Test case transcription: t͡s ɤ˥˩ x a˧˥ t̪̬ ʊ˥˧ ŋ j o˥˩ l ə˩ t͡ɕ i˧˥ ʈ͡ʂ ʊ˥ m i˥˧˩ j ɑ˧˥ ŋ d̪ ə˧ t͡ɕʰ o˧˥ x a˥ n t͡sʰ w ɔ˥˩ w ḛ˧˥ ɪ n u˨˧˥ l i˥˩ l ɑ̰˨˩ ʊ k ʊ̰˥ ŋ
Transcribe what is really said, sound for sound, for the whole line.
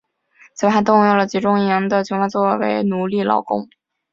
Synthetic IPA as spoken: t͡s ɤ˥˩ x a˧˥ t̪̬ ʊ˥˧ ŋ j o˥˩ l ə˩ t͡ɕ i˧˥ ʈ͡ʂ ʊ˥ ŋ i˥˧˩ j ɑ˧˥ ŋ d̪ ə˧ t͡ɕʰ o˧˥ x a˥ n t͡s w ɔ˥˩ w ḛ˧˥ ɪ n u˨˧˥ l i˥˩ l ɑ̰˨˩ ʊ k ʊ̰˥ ŋ

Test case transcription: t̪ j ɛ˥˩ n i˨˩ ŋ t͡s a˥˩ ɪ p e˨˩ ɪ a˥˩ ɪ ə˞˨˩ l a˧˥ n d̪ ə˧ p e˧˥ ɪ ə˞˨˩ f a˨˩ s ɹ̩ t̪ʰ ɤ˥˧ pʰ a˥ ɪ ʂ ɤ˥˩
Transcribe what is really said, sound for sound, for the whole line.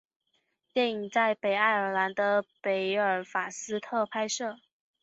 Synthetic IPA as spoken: t̪ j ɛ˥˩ n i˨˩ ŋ t͡s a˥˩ ɪ p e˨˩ ɪ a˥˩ ɪ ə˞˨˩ l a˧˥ n d̪ ə˧ p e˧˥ ɪ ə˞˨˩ f a˨˩ s ɹ̩ t̪ʰ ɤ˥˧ pʰ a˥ ɪ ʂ ɤ˥˩

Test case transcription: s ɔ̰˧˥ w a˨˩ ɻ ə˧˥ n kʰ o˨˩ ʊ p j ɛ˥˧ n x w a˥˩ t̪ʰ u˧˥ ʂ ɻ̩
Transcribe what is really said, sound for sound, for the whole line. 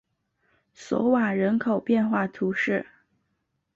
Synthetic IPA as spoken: s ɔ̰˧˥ w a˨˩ ɻ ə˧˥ n kʰ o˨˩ ʊ p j ɛ˥˧ n x w a˥˩ t̪ʰ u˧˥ ʂ ɻ̩

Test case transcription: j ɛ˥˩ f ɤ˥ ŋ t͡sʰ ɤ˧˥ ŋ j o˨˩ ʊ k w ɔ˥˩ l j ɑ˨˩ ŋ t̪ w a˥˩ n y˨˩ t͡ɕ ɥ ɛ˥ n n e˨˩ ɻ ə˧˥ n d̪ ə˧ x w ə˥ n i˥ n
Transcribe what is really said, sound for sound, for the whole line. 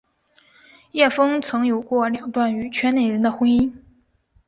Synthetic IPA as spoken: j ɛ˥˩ f ɤ˥ ŋ t͡sʰ ɤ˧˥ ŋ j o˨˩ ʊ k w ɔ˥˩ l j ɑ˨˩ ŋ t̪ w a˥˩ n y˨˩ t͡ɕʰ ɥ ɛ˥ n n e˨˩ ɻ ə˧˥ n d̪ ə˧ x w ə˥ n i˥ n

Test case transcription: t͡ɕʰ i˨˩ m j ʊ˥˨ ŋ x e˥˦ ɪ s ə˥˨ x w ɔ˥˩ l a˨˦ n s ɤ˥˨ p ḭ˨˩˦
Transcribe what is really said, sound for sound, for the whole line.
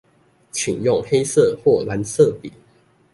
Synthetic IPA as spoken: t͡ɕʰ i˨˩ ŋ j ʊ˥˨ ŋ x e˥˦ ɪ s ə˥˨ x w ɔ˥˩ l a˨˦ n s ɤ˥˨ p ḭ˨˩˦

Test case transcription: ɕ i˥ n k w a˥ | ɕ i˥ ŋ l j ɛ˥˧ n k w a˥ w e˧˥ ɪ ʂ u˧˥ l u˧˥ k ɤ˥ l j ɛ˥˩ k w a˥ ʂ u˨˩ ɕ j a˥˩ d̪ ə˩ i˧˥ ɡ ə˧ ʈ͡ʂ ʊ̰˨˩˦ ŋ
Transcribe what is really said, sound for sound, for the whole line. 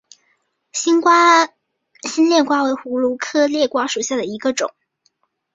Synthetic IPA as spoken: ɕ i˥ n k w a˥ | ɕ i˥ n l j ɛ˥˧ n k w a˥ w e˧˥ ɪ x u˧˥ l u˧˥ kʰ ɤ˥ l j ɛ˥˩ k w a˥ ʂ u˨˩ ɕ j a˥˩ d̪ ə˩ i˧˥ ɡ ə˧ ʈ͡ʂ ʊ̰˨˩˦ ŋ

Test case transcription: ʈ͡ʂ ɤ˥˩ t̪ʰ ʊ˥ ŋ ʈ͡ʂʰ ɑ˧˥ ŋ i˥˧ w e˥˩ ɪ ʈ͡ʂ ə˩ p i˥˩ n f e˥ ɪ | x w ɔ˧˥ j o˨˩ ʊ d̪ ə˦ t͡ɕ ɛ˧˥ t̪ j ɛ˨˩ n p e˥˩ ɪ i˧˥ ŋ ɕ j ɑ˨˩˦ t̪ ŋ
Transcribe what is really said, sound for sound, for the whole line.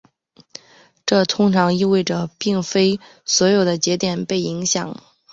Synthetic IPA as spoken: ʈ͡ʂ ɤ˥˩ t̪ʰ ʊ˥ ŋ ʈ͡ʂʰ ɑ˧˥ ŋ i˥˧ w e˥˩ ɪ ʈ͡ʂ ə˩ p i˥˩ ŋ f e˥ ɪ | s w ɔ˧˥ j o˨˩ ʊ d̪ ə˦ t͡ɕ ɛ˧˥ t̪ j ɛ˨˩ n p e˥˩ ɪ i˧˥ ŋ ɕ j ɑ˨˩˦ ŋ

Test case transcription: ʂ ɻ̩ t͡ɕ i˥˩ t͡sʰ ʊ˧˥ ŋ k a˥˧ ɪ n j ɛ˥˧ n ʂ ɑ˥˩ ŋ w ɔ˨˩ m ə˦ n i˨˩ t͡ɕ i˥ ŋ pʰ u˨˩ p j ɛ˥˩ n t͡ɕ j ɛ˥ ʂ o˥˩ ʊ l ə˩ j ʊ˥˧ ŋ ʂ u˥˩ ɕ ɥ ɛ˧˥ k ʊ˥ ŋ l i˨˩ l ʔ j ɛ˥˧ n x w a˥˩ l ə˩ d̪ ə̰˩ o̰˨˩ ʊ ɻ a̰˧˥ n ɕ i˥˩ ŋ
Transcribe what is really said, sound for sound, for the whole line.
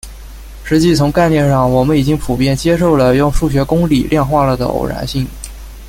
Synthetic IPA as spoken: ʂ ɻ̩ t͡ɕ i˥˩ t͡sʰ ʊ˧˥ ŋ k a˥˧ ɪ n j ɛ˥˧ n ʂ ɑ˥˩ ŋ w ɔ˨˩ m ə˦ n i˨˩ t͡ɕ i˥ ŋ pʰ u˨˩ p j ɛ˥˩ n t͡ɕ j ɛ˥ ʂ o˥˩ ʊ l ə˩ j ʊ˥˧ ŋ ʂ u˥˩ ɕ ɥ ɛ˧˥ k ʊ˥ ŋ l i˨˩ l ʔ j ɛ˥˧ n x w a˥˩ l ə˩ d̪ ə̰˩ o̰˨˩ ʊ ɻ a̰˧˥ n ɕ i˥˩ ŋ

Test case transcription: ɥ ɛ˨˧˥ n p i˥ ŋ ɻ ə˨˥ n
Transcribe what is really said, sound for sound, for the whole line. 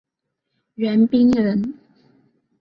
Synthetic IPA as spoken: ɥ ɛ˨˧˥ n p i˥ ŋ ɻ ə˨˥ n

